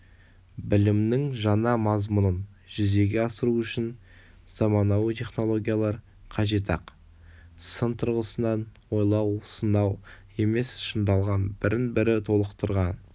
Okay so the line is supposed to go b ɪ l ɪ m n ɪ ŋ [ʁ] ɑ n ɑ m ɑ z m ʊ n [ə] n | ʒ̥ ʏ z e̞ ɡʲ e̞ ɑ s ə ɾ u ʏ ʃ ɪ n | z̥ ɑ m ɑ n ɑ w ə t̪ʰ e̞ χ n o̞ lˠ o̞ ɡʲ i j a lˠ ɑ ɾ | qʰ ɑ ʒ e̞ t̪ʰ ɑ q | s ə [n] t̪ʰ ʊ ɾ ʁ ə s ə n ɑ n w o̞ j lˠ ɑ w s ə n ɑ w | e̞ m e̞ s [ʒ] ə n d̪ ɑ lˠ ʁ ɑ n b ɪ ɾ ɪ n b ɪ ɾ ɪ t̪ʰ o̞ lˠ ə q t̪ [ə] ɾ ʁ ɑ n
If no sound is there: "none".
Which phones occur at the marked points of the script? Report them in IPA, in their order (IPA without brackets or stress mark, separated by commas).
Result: ʒ, ə, n, ʃ, ə